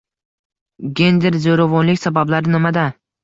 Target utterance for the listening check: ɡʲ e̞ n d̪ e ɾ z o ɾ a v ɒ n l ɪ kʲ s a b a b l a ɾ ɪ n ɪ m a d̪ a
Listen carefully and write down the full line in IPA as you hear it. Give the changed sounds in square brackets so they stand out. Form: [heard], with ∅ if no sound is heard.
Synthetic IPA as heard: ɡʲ e̞ n d̪ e ɾ z o ɾ a v ɒ n l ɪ kʲ s a b a b l a ɾ ɪ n ɪ m a d̪ a